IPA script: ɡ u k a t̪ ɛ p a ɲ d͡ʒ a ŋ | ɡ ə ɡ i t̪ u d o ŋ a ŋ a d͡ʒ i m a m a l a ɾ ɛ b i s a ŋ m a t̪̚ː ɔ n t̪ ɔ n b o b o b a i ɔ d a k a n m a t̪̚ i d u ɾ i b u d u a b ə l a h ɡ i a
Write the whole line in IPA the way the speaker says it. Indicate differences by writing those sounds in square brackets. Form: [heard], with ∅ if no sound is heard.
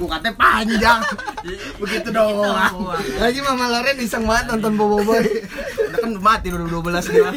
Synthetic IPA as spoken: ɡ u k a t̪ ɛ p a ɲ d͡ʒ a ŋ | [b] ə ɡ i t̪ u d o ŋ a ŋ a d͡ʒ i m a m a l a ɾ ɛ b i s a ŋ m a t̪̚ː ɔ n t̪ ɔ n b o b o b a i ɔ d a k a n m a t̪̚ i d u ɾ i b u d u a b ə l a [s] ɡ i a